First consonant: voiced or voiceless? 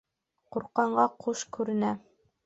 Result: voiceless